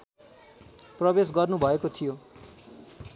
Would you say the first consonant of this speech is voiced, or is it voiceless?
voiceless